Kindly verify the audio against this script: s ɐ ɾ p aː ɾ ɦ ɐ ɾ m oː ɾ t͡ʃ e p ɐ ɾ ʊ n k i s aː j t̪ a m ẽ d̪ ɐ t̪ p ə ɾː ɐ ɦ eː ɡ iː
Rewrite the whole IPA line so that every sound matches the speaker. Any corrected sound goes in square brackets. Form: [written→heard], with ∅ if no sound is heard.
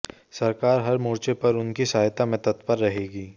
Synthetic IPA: s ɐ ɾ [p→k] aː ɾ ɦ ɐ ɾ m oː ɾ t͡ʃ e p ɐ ɾ ʊ n k i s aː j t̪ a m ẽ [d̪→t̪] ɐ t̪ p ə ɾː ɐ ɦ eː ɡ iː